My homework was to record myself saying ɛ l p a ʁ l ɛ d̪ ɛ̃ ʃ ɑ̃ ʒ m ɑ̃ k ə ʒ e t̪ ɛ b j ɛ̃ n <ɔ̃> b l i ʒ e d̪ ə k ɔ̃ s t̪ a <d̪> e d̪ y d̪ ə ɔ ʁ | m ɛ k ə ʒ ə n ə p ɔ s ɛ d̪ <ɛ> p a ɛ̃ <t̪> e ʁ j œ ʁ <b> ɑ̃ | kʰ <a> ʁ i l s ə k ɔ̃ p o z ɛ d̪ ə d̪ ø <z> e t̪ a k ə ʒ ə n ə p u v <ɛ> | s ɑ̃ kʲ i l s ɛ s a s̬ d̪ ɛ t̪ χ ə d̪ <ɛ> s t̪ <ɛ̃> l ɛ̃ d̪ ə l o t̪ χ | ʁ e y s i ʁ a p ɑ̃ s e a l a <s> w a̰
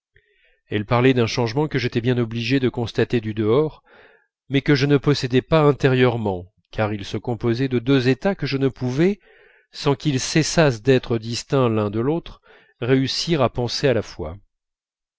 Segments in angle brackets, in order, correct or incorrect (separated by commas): incorrect, incorrect, correct, correct, incorrect, correct, correct, correct, incorrect, correct, incorrect